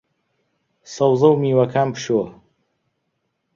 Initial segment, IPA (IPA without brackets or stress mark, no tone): s